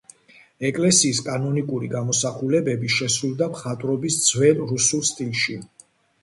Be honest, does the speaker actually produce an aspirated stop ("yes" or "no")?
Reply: no